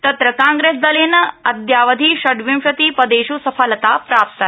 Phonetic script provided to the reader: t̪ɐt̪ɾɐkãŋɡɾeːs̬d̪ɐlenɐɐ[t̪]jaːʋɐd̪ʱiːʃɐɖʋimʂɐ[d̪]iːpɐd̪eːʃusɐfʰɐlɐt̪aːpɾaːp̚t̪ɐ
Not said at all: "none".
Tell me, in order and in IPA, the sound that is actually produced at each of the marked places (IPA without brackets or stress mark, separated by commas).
d̪, t̪